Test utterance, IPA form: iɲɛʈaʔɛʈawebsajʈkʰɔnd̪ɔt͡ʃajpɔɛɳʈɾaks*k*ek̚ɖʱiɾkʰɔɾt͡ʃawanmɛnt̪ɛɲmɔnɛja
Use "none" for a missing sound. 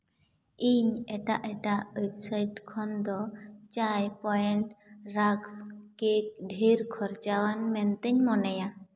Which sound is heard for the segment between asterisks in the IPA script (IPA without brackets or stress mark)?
k